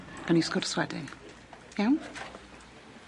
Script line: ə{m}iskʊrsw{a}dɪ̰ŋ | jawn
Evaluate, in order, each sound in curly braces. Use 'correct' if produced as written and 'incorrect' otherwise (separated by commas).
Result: incorrect, incorrect